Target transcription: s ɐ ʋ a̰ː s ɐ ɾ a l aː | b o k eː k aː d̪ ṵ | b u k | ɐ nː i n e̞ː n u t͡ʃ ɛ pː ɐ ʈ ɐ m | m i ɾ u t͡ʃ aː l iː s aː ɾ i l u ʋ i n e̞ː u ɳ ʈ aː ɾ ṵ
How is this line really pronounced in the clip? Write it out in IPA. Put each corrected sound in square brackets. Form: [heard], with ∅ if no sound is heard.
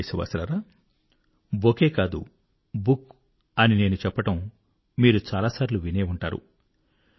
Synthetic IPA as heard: s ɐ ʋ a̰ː s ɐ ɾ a [ɾ] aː | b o k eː k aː d̪ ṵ | b u k | ɐ [n] i n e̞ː n u t͡ʃ ɛ pː ɐ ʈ ɐ m | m [iː] ɾ u t͡ʃ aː l [aː] s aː ɾ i l u ʋ i n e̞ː u ɳ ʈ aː ɾ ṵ